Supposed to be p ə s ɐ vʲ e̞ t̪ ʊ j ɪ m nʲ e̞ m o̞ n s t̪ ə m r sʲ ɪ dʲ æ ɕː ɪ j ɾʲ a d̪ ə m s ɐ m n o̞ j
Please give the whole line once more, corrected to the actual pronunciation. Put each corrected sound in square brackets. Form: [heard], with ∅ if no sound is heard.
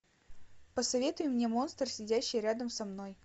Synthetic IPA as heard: p ə s ɐ vʲ e̞ t̪ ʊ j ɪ m nʲ e̞ m o̞ n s t̪ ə [∅] r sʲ ɪ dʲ æ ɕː ɪ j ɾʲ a d̪ ə m s ɐ m n o̞ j